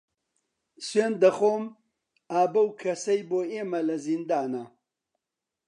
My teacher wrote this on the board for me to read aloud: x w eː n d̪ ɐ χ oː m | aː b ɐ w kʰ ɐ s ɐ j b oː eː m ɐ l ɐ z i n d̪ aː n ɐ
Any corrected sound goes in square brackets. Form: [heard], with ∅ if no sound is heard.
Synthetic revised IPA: [s] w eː n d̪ ɐ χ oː m | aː b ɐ w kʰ ɐ s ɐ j b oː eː m ɐ l ɐ z i n d̪ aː n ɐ